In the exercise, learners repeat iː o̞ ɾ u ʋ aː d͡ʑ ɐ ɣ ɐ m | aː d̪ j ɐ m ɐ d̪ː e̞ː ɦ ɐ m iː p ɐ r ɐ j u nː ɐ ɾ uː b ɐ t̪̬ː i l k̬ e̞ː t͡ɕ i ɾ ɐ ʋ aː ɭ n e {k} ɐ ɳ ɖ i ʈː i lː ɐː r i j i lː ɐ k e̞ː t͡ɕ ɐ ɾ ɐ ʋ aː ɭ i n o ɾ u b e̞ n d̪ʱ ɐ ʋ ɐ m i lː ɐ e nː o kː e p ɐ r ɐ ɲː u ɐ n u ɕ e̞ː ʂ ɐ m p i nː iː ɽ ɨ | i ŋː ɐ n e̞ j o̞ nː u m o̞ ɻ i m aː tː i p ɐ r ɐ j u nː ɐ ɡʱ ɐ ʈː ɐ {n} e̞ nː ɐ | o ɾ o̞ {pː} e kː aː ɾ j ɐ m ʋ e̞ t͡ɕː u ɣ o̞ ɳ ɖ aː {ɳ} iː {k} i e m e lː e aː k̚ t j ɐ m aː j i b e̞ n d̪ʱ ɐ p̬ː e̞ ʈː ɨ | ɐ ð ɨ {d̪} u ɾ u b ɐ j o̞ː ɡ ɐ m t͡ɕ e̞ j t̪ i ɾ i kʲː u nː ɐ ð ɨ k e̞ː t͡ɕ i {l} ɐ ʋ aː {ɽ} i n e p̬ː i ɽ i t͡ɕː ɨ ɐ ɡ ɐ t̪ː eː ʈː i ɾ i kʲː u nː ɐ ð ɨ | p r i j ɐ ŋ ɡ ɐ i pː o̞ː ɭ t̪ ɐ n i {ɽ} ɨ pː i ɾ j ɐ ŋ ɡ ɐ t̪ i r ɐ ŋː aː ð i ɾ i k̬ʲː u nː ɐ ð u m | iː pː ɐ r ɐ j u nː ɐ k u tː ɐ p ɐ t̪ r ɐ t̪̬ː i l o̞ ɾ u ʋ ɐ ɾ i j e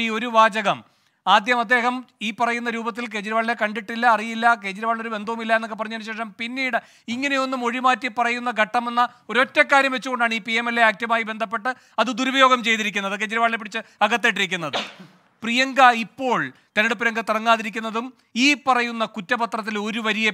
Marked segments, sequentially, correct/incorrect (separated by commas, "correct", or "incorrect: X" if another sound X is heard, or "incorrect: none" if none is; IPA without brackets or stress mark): correct, incorrect: m, incorrect: tː, correct, incorrect: p, correct, incorrect: ɾ, incorrect: ɭ, correct